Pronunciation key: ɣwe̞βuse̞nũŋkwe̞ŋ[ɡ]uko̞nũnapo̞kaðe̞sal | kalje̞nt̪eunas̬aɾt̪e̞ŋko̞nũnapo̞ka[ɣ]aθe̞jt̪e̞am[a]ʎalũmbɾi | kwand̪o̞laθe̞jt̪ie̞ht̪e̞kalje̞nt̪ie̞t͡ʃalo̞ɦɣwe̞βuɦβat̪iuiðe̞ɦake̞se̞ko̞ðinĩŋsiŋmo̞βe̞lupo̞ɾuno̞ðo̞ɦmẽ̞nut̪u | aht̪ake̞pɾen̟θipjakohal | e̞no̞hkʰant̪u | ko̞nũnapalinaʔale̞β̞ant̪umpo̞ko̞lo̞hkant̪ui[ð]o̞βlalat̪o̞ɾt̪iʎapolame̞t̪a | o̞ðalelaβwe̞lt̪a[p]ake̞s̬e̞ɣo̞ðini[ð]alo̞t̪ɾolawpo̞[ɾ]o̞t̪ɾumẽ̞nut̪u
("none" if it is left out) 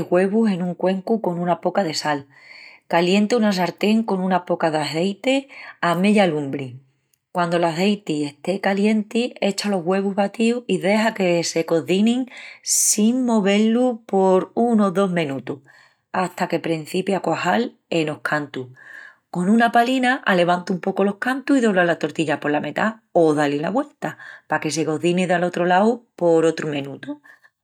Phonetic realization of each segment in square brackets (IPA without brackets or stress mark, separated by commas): k, ð, e, ð, p, ð, ɾ